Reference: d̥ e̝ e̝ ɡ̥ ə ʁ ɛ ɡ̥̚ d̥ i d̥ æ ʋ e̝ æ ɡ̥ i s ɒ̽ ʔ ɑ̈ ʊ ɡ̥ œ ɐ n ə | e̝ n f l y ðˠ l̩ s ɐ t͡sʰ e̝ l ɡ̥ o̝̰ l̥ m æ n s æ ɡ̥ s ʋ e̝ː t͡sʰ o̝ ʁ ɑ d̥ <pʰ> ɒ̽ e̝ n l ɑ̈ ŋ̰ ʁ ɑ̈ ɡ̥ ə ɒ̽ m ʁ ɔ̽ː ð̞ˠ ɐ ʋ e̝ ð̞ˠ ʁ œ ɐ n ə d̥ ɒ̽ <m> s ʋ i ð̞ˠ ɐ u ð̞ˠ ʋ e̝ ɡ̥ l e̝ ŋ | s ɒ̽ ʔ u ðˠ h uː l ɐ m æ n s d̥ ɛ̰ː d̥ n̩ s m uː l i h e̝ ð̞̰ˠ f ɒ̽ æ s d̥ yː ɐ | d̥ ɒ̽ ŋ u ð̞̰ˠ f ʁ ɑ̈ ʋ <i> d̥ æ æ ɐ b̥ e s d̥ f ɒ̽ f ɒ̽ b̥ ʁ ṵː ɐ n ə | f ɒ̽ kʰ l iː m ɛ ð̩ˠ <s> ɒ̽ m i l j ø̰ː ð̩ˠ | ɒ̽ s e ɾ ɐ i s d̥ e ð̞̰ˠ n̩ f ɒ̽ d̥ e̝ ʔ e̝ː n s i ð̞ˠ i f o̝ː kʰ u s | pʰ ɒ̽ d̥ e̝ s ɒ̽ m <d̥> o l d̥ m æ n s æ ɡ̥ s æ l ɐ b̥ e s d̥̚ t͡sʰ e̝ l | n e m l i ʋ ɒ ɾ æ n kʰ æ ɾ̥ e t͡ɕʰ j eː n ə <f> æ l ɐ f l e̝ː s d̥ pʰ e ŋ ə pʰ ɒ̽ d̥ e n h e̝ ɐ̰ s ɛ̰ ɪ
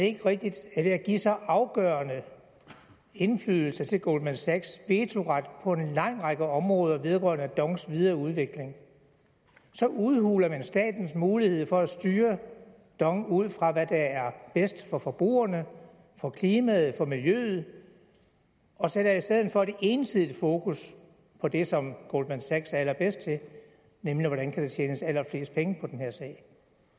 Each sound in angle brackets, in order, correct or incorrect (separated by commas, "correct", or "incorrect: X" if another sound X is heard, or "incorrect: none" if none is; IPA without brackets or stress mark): correct, incorrect: ŋ, incorrect: æ, incorrect: f, incorrect: ɡ̥, incorrect: s